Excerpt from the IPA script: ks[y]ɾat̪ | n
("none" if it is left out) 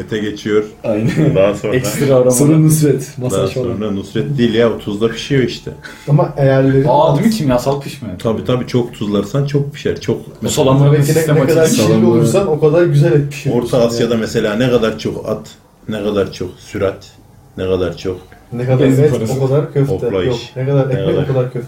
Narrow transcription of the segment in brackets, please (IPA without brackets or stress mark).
y